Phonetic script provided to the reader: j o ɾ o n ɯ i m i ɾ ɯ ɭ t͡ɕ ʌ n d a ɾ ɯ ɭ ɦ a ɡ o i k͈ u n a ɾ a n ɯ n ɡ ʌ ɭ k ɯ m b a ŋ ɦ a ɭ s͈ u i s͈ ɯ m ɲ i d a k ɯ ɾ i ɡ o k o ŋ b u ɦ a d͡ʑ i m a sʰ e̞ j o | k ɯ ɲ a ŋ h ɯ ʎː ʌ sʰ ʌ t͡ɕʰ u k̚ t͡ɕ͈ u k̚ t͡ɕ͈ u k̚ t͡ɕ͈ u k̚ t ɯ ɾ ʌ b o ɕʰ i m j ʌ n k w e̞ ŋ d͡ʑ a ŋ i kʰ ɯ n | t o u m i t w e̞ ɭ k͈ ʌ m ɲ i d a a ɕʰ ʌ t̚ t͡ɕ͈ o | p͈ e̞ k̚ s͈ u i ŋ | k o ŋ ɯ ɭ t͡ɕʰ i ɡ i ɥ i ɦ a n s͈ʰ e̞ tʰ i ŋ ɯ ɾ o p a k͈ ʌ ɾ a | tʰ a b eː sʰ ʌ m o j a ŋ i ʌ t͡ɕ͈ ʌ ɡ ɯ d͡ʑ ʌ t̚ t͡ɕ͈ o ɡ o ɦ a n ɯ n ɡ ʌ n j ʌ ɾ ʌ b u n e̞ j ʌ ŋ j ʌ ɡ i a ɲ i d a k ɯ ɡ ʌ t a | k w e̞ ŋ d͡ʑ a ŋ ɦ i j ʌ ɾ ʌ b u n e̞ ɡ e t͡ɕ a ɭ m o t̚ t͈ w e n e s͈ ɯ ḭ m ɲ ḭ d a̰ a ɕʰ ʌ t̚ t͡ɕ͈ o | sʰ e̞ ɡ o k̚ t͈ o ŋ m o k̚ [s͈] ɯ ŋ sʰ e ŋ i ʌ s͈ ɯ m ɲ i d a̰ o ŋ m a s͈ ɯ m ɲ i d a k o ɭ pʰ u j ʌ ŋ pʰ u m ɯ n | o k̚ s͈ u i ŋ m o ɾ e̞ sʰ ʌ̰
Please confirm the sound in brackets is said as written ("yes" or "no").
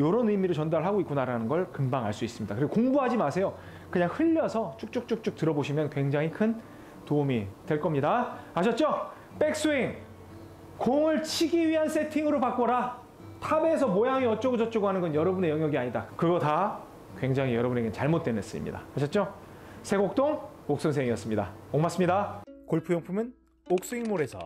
yes